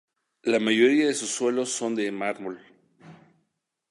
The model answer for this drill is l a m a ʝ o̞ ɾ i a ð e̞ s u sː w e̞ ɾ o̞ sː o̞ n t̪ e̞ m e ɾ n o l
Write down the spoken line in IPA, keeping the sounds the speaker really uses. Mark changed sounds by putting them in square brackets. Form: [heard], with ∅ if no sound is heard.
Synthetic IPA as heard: l a m a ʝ o̞ ɾ i a ð e̞ s u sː w e̞ [l] o̞ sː o̞ n [d̪] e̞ m [a] ɾ [m] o l